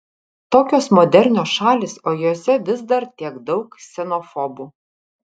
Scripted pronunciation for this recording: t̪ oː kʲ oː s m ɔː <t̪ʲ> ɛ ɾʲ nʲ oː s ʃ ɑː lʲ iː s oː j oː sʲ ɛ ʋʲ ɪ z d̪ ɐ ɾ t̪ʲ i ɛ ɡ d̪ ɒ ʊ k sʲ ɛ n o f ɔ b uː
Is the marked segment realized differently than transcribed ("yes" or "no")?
yes